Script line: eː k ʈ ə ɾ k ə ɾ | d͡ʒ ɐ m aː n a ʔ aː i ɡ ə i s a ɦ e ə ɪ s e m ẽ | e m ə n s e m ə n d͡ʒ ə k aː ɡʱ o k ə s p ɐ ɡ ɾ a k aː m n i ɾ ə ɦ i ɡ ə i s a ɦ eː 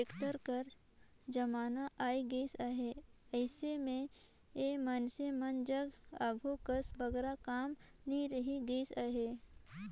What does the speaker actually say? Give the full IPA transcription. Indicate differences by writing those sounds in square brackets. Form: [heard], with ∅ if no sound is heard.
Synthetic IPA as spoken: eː k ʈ ə ɾ k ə ɾ | d͡ʒ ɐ m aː n a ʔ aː i ɡ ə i s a ɦ e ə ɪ s e m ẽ | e m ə n s e m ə n d͡ʒ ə [ɡ] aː ɡʱ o k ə s [b] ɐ ɡ ɾ a k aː m n i ɾ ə ɦ i ɡ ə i s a ɦ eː